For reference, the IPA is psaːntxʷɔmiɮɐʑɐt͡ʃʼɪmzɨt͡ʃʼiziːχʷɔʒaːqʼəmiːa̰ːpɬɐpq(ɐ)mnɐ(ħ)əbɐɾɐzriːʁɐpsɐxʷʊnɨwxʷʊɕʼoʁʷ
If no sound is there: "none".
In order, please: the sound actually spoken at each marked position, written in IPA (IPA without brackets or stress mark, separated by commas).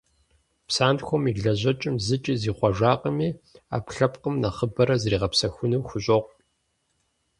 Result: ə, χ